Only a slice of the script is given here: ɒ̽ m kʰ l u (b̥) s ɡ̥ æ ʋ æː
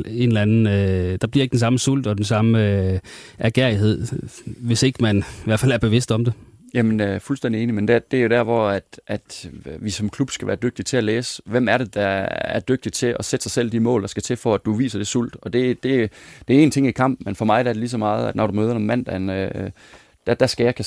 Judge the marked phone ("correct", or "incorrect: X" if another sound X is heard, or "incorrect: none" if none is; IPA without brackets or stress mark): correct